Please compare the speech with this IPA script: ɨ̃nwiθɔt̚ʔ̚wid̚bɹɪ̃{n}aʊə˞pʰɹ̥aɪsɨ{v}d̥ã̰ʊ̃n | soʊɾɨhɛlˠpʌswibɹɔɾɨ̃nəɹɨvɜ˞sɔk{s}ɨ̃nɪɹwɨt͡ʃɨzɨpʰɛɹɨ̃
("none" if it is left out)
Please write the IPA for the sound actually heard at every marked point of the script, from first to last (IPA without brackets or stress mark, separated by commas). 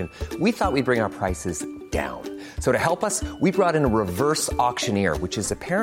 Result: ŋ, z, ʃ